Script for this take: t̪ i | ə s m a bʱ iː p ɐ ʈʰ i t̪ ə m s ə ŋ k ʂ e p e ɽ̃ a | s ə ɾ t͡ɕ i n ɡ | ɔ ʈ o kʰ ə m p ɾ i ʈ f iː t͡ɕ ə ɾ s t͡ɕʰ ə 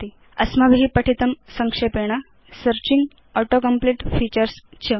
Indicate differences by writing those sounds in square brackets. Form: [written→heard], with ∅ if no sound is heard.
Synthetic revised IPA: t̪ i | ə s m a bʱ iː p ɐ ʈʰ i t̪ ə m s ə ŋ k ʂ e p e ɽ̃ a | s ə ɾ t͡ɕ i [n→ŋ] ɡ | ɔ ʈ o [kʰ→k] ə m p [ɾ→l] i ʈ f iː t͡ɕ ə ɾ s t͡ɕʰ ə